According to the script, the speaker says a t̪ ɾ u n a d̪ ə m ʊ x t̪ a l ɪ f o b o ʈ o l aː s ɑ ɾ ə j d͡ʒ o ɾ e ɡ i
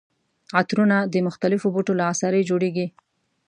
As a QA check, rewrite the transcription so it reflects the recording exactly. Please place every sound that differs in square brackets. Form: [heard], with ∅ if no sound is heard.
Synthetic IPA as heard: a t̪ ɾ u n a d̪ ə m ʊ x t̪ a l ɪ f o b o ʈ o l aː s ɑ ɾ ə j d͡ʒ o [ɽ] e ɡ i

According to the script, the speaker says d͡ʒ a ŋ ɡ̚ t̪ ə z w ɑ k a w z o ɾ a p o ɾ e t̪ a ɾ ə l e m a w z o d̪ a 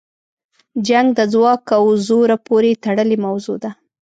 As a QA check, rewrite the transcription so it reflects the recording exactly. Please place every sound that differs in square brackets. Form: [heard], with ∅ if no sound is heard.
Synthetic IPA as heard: d͡ʒ a ŋ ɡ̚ [d̪] ə z w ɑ k a w z o ɾ a p o ɾ e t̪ a [ɽ] ə l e m a w z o d̪ a

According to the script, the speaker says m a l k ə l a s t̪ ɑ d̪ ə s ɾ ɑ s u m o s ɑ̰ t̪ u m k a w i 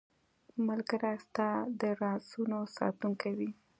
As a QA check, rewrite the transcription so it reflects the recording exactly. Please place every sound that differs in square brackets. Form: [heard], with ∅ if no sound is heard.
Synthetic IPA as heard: m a l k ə [ɾ] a s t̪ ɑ d̪ ə [∅] ɾ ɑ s u [n] o s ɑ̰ t̪ u [ŋ] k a w i

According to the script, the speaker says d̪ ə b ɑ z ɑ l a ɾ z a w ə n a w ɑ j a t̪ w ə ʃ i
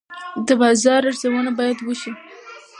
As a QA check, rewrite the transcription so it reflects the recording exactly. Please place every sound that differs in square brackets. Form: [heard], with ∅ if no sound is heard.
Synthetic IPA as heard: d̪ ə b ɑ z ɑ [ɾ] a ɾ z a w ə n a [b] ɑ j a [d̪] w ə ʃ i

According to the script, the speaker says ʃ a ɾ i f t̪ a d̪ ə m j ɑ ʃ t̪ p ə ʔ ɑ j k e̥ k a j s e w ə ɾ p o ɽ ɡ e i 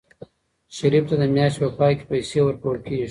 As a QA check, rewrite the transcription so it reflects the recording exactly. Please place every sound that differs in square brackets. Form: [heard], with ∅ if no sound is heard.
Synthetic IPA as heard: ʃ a ɾ i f t̪ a d̪ ə m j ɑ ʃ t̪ p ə [p] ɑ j k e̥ [p] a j s e w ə ɾ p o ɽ [k] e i

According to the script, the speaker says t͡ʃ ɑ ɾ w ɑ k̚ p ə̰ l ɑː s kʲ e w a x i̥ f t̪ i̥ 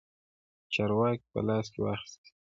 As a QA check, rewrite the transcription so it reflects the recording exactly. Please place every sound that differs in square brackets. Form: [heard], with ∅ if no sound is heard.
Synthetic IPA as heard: t͡ʃ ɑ ɾ w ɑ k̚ p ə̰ l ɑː s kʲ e w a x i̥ [s] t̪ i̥

